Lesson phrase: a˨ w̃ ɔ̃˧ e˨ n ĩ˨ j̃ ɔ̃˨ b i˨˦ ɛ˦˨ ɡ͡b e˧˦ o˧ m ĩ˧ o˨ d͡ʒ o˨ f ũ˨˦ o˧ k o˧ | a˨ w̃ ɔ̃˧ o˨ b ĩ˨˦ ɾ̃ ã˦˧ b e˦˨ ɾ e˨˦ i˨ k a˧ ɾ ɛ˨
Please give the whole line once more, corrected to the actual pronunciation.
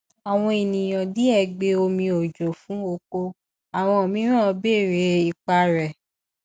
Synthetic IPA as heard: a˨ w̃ ɔ̃˧ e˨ n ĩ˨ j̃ ɔ̃˨ d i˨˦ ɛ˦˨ ɡ͡b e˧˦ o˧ m ĩ˧ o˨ d͡ʒ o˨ f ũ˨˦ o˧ k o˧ | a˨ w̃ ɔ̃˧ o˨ m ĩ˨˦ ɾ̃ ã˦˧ b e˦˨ ɾ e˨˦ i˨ k͡p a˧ ɾ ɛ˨